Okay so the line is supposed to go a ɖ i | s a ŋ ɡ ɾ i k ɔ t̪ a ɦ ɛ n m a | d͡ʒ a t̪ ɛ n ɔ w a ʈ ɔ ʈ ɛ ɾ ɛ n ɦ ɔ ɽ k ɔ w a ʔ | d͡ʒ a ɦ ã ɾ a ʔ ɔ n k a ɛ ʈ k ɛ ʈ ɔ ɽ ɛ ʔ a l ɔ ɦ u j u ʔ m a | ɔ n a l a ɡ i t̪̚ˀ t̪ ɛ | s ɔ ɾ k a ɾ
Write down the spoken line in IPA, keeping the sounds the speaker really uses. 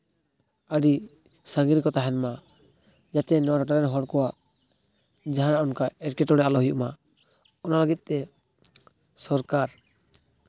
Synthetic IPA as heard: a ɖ i | s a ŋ ɡ ɾ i k ɔ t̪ a ɦ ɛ n m a | d͡ʒ a t̪ ɛ n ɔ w a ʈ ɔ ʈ a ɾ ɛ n ɦ ɔ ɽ k ɔ w a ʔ | d͡ʒ a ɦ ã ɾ a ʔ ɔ n k a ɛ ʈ k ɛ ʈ ɔ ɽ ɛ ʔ a l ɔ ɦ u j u ʔ m a | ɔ n a l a ɡ i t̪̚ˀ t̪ ɛ | s ɔ ɾ k a ɾ